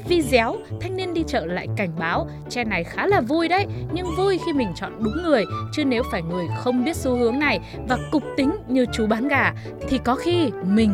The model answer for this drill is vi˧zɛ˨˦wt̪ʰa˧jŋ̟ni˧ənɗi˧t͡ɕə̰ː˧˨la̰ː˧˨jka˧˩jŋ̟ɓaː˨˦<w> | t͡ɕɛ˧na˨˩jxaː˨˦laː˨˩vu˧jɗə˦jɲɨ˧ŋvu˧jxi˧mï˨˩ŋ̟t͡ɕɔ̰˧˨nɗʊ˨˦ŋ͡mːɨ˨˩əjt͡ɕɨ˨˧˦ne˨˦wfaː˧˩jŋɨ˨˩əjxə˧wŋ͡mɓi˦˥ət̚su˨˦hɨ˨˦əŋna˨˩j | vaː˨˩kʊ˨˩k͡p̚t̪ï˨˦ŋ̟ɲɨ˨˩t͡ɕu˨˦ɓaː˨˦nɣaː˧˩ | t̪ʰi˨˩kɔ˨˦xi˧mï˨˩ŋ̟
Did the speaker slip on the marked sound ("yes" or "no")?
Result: no